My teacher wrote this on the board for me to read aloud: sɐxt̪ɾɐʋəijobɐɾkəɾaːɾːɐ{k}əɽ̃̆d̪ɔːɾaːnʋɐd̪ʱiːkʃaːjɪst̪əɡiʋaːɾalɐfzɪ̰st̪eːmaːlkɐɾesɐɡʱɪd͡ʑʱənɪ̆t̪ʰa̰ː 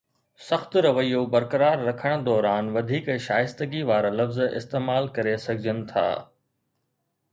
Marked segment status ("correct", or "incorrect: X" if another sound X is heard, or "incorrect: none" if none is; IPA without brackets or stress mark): incorrect: kʰ